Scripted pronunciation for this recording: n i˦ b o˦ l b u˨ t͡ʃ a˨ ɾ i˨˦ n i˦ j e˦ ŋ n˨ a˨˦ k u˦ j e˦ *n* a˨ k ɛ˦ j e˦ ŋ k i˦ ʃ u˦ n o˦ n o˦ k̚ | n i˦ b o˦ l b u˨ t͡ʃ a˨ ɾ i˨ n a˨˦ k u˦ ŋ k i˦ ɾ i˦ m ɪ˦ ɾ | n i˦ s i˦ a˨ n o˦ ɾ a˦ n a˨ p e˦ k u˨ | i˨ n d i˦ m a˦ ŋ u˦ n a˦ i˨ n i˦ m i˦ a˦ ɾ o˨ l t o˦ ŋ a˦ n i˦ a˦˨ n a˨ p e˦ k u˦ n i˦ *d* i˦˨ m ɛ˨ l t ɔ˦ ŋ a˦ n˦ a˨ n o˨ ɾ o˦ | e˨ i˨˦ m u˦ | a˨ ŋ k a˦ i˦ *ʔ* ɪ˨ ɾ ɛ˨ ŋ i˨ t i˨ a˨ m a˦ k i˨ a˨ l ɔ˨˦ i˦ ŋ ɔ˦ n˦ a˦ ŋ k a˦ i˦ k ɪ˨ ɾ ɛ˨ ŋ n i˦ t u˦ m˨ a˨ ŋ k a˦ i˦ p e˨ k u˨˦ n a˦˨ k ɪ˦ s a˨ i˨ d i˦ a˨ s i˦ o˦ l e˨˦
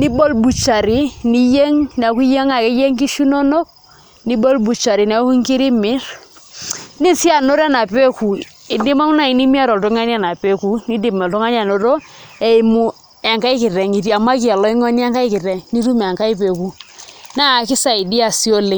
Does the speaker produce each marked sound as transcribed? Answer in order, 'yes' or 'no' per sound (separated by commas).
no, yes, no